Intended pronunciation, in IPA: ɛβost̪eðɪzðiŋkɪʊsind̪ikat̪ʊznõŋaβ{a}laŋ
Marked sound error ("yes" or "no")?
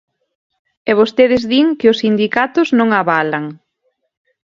no